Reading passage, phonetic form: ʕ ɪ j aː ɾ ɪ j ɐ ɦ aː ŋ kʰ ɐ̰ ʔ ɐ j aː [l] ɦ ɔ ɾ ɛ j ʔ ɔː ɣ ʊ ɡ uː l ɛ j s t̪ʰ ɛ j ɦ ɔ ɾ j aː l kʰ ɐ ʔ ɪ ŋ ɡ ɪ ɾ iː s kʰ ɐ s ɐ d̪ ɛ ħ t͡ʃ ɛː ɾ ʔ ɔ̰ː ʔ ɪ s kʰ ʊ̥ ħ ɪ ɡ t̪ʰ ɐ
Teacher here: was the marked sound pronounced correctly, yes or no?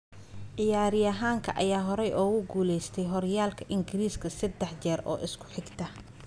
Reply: no